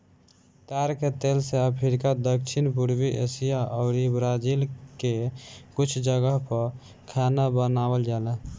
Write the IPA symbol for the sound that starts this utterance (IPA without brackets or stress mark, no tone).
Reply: t̪